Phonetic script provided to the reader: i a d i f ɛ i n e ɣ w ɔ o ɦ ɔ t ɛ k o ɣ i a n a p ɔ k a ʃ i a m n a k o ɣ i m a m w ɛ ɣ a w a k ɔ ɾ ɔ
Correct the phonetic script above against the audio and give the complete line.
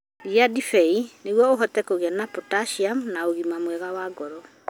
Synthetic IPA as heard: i a d i f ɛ i n e ɣ w ɔ o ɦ ɔ t ɛ k o ɣ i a n a p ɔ t a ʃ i a m n a o ɣ i m a m w ɛ ɣ a w a ɡ ɔ ɾ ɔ